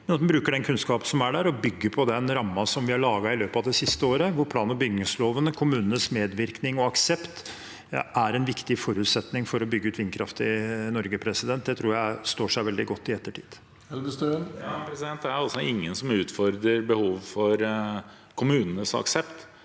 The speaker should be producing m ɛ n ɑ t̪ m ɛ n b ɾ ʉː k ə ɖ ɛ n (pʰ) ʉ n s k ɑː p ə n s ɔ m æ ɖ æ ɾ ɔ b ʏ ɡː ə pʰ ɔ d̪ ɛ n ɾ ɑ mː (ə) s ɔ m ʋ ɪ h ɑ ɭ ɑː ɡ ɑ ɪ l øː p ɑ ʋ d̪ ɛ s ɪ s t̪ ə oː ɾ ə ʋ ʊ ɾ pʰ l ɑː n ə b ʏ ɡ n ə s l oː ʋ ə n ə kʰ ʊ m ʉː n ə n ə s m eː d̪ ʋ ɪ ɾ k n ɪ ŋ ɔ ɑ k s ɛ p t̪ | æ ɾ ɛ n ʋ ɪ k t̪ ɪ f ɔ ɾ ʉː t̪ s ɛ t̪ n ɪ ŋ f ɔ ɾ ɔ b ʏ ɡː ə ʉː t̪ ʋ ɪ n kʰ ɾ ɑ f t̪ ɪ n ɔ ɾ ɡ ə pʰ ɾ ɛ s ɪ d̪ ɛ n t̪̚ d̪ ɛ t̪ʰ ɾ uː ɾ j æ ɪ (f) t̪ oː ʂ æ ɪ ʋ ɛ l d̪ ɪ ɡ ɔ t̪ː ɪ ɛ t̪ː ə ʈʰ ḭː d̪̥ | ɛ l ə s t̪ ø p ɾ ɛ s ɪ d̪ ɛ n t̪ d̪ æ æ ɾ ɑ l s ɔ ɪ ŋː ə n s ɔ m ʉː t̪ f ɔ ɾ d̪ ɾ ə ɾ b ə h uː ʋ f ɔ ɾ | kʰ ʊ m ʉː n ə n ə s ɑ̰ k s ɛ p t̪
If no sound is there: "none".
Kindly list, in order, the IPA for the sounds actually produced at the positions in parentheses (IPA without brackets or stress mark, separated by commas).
kʰ, ɑ, s